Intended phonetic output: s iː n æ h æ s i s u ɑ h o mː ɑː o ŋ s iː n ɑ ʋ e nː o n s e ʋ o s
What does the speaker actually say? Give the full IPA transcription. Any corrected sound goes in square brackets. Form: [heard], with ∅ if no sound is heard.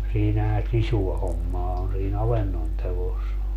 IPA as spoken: s iː n æ h æ s i s u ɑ h o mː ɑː o [n] s iː n ɑ ʋ e nː o n [t] e ʋ o s